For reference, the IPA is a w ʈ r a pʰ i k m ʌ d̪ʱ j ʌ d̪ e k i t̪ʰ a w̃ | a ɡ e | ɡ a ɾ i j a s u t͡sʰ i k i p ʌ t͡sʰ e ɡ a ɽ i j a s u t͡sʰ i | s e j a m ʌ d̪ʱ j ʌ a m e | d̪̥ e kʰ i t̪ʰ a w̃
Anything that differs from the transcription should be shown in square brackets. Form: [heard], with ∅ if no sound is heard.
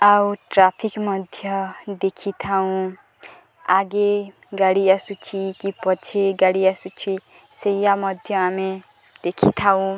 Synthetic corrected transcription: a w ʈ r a pʰ i k m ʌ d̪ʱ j ʌ d̪ e [kʰ] i t̪ʰ a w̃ | a ɡ e | ɡ a [ɽ] i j a s u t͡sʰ i k i p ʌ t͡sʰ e ɡ a ɽ i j a s u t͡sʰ i | s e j a m ʌ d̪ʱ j ʌ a m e | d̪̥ e kʰ i t̪ʰ a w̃